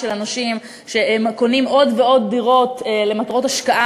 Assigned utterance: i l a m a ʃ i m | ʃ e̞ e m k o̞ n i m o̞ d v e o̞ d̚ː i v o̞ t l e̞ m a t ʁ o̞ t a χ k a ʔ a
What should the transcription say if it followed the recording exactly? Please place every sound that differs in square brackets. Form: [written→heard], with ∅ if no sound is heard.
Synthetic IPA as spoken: [i→e] l a [m→n] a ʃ i m | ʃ e̞ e m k o̞ n i m o̞ d v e o̞ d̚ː i [v→ʁ] o̞ t l e̞ m a t ʁ o̞ t a [χ→ʃ] k a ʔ a

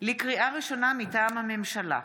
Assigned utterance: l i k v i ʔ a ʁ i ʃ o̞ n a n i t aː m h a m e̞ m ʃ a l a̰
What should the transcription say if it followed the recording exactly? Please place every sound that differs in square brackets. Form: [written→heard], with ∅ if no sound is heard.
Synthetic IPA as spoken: l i k [v→ʁ] i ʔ a ʁ i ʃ o̞ n a [n→m] i t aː m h a m e̞ m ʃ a l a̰

